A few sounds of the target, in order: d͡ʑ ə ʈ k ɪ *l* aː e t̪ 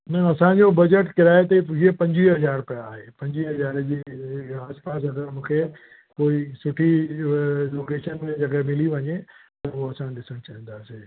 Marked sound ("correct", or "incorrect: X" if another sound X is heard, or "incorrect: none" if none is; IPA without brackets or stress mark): incorrect: ɾ